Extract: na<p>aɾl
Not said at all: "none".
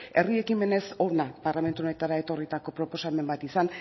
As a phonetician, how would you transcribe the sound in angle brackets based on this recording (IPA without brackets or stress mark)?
p